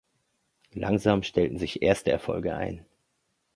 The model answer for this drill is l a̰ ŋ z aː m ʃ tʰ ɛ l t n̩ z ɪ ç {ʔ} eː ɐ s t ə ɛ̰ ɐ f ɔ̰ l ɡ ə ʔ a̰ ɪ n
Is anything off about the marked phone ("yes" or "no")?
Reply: no